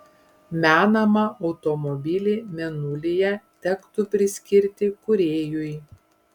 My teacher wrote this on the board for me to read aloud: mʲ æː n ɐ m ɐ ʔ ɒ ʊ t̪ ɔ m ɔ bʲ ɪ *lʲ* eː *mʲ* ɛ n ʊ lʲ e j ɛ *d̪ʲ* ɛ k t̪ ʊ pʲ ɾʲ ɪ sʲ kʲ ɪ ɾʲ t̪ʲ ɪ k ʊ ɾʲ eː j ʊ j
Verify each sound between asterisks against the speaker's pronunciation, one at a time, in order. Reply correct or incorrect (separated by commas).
correct, correct, incorrect